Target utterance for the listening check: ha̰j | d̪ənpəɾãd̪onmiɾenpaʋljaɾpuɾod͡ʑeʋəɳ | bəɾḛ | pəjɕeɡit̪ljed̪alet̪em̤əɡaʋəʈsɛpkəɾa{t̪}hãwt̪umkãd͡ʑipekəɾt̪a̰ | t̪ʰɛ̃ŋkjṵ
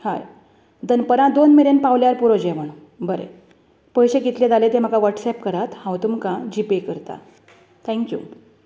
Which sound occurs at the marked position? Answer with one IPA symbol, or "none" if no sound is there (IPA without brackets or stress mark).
t̪